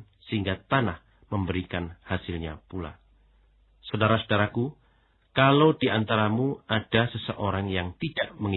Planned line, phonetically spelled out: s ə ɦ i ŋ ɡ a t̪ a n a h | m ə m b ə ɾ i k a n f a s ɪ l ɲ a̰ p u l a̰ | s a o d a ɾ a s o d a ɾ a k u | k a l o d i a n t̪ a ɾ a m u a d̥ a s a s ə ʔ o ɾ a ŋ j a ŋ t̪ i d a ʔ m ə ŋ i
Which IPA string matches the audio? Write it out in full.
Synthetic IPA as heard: s ə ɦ i ŋ ɡ a t̪ a n a h | m ə m b ə ɾ i k a n h a s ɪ l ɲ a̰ p u l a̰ | s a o d a ɾ a s o d a ɾ a k u | k a l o d i a n t̪ a ɾ a m u a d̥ a s ə s ə ʔ o ɾ a ŋ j a ŋ t̪ i d a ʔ m ə ŋ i